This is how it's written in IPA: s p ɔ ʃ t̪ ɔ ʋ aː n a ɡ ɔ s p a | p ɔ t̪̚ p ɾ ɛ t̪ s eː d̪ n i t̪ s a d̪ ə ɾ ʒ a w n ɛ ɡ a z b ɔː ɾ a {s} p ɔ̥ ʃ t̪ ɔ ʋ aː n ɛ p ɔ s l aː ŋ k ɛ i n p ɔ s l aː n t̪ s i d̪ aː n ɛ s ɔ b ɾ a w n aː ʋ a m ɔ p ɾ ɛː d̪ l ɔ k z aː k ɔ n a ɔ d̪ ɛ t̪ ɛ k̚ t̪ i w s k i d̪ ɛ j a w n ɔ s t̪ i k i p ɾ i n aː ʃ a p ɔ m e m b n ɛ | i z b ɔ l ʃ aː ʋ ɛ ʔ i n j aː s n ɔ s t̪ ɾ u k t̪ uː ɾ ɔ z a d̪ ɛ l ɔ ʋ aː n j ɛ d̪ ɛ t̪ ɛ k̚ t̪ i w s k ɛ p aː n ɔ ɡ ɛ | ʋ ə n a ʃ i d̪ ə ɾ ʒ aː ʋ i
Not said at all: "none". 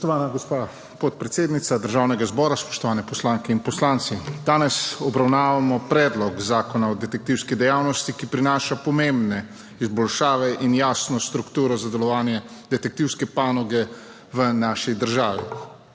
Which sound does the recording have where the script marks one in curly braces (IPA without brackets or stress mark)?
s